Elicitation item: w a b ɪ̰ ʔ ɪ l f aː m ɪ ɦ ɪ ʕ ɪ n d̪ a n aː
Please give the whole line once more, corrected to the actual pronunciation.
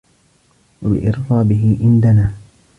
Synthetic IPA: w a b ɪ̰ ʔ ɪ ɾ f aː b ɪ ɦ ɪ ʕ ɪ n d̪ a n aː